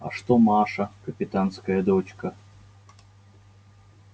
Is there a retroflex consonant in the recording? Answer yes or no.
yes